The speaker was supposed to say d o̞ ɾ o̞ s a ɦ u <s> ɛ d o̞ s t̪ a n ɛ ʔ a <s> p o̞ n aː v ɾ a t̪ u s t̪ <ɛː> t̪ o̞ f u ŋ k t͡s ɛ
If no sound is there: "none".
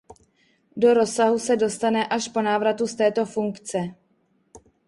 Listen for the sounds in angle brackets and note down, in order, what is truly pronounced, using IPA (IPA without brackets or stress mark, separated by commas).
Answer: s, ʃ, ɛː